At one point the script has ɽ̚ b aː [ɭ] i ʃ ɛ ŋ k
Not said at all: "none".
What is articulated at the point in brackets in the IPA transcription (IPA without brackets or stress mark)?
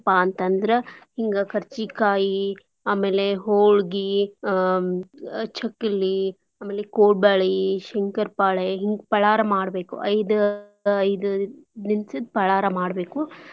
ɭ